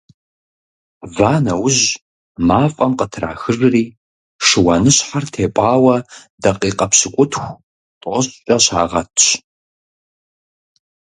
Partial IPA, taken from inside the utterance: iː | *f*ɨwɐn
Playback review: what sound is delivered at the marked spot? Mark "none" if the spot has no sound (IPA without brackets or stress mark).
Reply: ʂ